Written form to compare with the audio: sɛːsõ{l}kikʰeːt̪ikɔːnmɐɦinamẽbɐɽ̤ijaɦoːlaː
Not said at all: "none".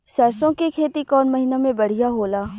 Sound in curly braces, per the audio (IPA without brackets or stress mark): none